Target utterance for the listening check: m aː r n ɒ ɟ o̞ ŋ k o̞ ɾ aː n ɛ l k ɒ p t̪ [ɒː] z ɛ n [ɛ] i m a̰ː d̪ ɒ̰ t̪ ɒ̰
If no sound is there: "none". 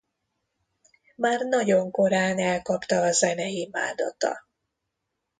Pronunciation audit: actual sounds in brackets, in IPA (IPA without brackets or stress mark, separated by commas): ɒː, ɛ